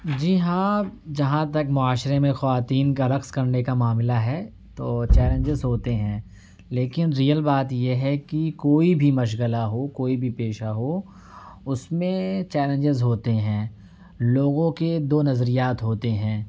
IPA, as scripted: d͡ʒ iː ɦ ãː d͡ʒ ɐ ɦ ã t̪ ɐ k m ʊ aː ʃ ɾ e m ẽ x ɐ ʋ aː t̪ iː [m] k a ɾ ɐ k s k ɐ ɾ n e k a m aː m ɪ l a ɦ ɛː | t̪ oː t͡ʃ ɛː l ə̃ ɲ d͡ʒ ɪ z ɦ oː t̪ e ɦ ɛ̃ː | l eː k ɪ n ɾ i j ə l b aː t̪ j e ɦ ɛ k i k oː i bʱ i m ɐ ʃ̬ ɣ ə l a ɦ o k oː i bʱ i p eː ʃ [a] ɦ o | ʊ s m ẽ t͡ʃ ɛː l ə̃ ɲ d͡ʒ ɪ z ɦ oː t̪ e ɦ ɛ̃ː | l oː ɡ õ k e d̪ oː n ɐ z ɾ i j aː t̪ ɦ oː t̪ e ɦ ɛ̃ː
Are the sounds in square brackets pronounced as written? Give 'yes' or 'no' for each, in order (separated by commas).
no, yes